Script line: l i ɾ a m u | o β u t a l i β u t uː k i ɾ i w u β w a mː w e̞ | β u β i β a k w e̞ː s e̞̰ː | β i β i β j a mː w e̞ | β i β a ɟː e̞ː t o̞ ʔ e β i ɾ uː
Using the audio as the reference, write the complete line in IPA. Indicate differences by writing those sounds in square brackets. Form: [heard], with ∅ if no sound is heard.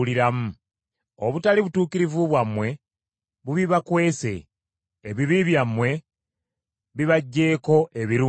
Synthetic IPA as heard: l i ɾ a m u | o β u t a l i β u t uː k i ɾ i [v] u β w a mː w e̞ | β u β i β a k w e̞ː s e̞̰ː | β i β i β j a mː w e̞ | β i β a ɟː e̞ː [k] o̞ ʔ e β i ɾ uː